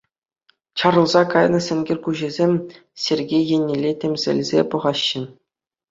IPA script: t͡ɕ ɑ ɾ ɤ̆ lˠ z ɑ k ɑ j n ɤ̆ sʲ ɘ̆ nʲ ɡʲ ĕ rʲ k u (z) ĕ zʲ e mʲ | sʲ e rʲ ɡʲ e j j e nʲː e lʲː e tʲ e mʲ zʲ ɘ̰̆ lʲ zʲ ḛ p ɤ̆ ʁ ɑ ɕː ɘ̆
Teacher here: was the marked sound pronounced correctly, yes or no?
no